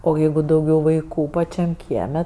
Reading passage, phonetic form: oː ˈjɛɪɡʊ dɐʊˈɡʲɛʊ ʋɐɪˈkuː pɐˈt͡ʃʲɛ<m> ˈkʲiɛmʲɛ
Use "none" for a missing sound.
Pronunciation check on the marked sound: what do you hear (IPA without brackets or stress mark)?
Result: m